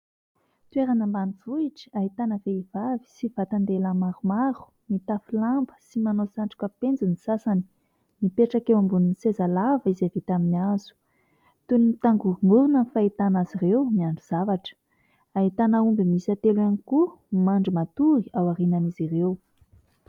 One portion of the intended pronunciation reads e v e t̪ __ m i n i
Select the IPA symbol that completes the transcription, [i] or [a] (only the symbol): a